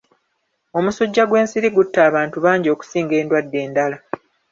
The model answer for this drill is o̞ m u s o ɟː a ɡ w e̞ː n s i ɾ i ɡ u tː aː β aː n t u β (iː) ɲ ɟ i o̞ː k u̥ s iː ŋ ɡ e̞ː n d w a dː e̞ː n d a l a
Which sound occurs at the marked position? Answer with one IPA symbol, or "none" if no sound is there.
aː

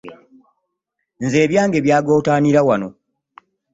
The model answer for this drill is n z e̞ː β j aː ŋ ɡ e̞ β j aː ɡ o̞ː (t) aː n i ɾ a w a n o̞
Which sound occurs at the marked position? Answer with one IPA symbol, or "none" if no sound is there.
t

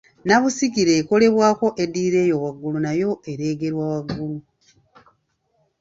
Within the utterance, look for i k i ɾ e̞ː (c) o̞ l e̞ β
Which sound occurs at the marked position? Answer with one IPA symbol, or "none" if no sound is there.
k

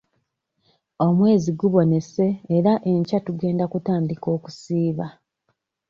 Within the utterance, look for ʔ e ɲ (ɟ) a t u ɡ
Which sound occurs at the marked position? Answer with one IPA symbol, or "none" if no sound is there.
c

